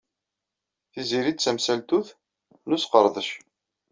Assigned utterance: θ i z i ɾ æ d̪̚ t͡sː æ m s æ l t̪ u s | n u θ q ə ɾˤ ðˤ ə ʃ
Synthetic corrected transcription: θ i z i ɾ i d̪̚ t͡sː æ m s æ l t̪ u θ | n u s q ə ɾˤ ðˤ ə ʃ